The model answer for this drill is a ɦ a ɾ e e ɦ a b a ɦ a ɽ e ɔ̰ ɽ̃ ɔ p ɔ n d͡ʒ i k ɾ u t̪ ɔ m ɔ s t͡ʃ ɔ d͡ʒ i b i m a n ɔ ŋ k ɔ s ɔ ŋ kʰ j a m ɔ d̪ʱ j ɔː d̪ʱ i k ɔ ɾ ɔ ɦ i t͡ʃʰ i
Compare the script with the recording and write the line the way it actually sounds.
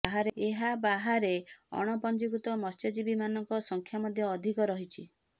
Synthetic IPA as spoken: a ɦ a ɾ e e ɦ a b a ɦ a ɾ e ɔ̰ ɽ̃ ɔ p ɔ n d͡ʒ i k ɾ u t̪ ɔ m ɔ s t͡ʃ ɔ d͡ʒ i b i m a n ɔ ŋ k ɔ s ɔ ŋ kʰ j a m ɔ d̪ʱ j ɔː d̪ʱ i k ɔ ɾ ɔ ɦ i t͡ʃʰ i